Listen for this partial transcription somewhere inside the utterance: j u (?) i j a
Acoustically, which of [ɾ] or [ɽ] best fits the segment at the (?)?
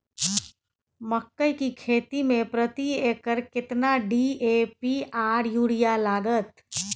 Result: ɽ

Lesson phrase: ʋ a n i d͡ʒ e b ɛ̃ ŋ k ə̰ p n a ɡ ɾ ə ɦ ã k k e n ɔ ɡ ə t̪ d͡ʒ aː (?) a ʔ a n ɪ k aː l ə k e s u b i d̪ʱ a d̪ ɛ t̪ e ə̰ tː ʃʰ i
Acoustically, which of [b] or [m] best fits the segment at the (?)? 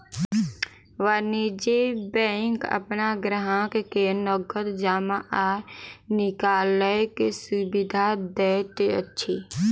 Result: m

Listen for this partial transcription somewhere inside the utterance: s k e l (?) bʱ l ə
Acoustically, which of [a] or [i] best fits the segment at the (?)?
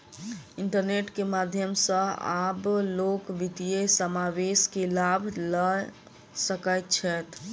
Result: a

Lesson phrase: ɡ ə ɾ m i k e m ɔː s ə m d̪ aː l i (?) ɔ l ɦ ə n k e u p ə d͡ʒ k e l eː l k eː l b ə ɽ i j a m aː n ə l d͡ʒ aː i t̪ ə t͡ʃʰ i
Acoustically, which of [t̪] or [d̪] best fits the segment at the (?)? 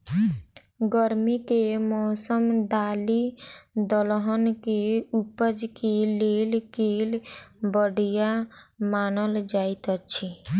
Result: d̪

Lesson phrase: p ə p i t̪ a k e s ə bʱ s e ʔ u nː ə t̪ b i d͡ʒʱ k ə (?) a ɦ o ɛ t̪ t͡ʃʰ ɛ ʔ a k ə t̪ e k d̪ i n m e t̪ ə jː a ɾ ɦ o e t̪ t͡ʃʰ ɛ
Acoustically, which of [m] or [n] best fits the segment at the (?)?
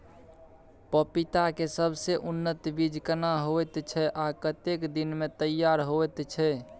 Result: n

